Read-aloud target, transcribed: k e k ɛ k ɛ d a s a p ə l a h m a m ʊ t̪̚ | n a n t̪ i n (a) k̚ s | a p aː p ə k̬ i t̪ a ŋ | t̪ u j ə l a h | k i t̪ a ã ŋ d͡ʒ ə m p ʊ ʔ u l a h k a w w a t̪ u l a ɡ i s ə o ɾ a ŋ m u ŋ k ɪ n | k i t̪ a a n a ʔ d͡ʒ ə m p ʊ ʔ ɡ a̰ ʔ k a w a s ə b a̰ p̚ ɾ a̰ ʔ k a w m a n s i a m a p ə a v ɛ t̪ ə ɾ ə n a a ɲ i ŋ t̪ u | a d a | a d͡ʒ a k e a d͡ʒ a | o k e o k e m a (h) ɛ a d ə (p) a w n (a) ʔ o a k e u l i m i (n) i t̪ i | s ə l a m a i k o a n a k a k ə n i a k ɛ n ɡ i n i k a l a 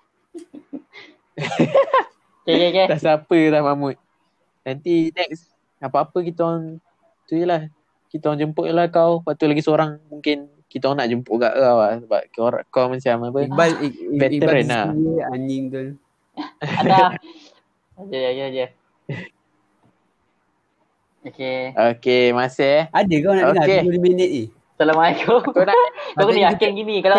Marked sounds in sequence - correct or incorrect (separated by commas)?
incorrect, incorrect, incorrect, correct, correct